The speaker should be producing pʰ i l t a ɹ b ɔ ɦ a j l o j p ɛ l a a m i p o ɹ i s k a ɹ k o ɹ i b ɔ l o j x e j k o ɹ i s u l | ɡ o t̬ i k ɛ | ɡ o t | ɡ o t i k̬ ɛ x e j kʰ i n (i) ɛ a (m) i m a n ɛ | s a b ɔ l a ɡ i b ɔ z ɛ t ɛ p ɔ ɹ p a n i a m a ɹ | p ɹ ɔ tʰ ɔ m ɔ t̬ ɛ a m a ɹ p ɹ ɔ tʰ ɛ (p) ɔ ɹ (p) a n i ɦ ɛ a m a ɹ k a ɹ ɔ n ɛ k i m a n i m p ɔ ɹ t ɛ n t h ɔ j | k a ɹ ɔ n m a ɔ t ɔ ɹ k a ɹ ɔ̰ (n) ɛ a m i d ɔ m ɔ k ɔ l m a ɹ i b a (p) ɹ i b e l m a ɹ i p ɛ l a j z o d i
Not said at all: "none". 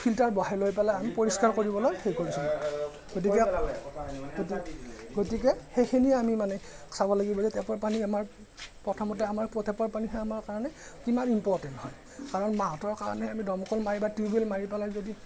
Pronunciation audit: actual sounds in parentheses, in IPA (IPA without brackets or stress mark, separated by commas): i, m, p, p, n, t